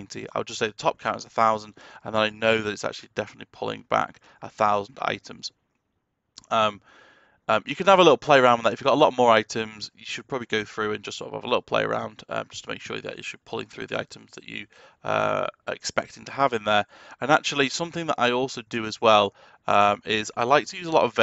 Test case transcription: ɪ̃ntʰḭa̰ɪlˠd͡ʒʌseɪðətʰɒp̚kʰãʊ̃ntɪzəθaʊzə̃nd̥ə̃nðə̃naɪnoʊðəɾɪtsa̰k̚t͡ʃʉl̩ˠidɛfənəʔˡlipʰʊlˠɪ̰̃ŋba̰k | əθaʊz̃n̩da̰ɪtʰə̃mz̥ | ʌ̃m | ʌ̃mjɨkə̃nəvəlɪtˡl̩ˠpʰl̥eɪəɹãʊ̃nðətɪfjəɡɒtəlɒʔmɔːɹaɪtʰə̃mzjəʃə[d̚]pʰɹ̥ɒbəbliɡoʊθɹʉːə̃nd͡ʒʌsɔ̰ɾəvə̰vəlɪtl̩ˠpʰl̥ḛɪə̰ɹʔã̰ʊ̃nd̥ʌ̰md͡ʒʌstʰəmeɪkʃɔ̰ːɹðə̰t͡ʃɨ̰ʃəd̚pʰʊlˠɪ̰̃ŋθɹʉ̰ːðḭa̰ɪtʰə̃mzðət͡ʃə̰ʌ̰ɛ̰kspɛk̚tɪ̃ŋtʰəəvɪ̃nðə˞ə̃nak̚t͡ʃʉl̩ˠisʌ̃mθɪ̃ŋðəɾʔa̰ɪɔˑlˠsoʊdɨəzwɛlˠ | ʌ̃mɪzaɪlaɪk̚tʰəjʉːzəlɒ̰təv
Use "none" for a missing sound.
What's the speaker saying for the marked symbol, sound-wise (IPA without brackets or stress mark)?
d̚